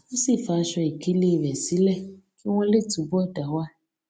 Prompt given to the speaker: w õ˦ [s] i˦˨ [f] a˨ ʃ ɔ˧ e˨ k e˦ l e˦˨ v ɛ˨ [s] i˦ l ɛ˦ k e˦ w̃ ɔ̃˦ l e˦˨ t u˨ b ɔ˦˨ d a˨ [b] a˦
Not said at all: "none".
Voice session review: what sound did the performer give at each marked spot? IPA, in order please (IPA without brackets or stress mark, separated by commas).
s, f, s, w